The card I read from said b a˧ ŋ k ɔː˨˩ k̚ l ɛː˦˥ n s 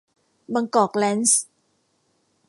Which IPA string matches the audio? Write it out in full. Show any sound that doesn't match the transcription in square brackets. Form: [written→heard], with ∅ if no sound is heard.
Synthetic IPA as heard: b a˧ ŋ k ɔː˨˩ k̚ l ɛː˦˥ n s